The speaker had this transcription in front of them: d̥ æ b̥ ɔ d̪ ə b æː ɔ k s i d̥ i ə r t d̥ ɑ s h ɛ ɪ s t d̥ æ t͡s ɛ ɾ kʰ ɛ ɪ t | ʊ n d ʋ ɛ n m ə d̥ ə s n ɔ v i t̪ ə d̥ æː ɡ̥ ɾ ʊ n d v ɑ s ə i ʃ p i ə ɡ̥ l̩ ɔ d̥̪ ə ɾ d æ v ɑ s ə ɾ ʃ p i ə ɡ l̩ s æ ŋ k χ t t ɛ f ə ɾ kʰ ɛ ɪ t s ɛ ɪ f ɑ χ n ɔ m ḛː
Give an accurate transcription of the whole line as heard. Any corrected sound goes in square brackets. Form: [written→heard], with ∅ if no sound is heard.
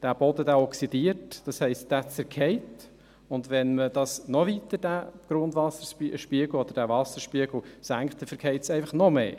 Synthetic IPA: d̥ æ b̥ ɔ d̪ ə [b→d] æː ɔ k s i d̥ i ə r t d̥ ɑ s h ɛ ɪ s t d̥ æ t͡s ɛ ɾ kʰ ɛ ɪ t | ʊ n d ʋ ɛ n m ə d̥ [ə→ɑ] s n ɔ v i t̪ ə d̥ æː ɡ̥ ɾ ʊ n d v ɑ s ə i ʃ p i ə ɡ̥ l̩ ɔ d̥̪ ə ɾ d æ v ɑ s ə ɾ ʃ p i ə ɡ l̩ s æ ŋ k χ t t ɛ f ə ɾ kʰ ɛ ɪ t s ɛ ɪ f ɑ χ n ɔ m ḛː